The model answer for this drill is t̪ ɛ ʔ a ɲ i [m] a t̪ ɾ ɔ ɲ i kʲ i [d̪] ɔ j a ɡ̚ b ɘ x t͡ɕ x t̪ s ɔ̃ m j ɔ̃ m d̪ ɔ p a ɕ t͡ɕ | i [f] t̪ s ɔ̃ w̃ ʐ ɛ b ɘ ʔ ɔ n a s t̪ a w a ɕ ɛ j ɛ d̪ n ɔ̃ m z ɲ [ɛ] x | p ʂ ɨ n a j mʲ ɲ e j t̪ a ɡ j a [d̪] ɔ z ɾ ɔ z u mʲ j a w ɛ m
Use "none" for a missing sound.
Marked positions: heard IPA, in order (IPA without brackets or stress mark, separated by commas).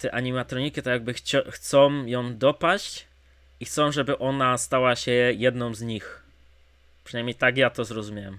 m, t̪, x, i, t̪